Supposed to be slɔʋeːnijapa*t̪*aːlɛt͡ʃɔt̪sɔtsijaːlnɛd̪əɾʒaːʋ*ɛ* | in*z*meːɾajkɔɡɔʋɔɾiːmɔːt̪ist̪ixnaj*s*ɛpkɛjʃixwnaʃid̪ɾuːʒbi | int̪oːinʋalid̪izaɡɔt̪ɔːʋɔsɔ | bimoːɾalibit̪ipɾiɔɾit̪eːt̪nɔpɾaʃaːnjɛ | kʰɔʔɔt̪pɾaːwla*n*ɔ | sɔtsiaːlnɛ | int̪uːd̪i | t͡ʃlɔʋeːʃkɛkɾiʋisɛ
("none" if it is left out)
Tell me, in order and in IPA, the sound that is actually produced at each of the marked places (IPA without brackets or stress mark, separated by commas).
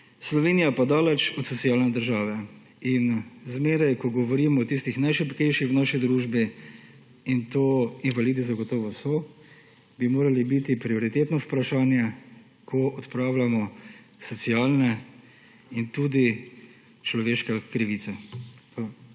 d̪, ɛ, z, ʃ, m